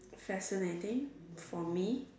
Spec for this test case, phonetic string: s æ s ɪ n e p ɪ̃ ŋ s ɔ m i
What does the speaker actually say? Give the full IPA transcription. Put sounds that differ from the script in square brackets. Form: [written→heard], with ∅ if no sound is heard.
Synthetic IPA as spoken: [s→f] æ s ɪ n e [p→t] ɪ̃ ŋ [s→f] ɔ m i